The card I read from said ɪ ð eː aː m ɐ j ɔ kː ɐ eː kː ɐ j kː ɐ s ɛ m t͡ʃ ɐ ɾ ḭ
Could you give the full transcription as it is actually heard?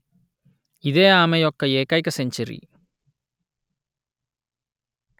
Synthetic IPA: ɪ ð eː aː m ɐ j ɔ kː ɐ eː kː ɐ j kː ɐ s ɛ ɲ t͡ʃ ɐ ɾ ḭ